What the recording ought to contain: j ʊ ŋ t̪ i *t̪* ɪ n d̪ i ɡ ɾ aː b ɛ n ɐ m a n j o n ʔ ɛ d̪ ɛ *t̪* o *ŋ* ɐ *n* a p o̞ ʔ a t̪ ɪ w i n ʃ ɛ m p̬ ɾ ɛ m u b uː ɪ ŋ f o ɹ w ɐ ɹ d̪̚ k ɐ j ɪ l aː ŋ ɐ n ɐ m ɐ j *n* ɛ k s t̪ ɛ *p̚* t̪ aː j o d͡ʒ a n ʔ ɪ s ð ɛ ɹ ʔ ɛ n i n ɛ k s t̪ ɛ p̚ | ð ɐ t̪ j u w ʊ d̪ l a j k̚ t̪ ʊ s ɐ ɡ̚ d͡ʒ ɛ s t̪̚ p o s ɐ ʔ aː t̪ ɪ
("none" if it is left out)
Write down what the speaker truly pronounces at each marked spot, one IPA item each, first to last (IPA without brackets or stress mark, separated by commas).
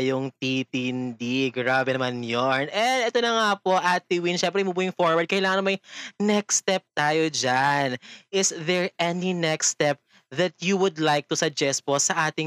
t̪, t̪, n, ŋ, n, p̚